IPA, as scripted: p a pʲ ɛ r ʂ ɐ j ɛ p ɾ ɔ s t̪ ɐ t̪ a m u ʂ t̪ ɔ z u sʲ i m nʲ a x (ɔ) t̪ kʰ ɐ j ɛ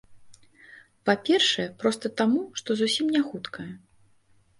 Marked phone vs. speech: incorrect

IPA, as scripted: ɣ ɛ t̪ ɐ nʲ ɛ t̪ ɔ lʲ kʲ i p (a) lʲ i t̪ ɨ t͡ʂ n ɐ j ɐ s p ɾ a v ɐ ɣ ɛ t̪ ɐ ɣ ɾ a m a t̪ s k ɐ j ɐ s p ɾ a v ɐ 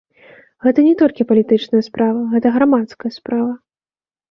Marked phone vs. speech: incorrect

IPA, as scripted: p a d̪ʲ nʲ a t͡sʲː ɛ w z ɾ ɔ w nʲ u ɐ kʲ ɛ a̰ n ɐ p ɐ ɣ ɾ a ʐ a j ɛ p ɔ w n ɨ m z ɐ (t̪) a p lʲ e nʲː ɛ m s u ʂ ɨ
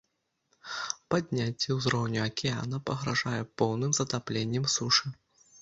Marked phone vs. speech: correct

